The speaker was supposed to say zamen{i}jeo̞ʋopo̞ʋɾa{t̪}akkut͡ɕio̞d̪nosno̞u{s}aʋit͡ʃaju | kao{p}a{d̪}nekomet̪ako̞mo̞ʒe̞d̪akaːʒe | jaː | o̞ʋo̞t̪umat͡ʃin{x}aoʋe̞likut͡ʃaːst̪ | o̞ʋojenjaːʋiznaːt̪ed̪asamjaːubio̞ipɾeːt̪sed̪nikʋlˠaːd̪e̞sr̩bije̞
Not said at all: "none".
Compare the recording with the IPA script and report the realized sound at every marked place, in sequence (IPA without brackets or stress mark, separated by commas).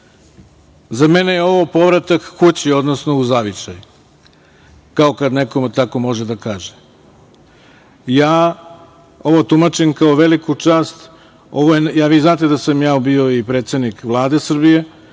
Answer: e, t̪, z, k, d̪, k